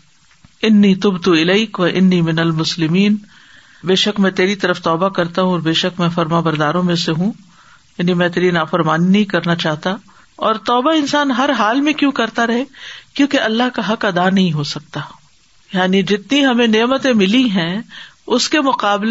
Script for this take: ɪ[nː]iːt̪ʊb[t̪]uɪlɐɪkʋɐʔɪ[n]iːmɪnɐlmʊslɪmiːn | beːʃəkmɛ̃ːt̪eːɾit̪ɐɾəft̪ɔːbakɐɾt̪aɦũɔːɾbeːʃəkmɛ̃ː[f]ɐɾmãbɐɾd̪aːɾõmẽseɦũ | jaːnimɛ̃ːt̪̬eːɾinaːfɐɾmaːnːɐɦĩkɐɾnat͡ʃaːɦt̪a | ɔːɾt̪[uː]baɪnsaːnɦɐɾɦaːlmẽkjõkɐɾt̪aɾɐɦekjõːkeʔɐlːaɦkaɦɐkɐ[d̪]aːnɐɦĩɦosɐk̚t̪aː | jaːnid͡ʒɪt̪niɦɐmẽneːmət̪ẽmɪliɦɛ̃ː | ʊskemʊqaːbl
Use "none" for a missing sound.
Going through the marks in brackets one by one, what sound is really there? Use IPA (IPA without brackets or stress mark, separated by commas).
nː, t̪, nː, f, ɔː, d̪